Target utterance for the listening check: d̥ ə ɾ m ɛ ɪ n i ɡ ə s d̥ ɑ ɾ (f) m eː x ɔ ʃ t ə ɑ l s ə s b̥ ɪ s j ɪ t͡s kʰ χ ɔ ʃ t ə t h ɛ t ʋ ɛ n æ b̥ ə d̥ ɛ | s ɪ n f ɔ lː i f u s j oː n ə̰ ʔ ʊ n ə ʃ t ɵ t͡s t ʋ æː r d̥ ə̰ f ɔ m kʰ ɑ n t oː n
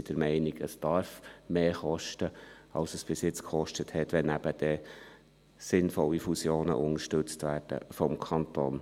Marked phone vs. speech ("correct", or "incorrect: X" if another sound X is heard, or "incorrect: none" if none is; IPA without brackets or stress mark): correct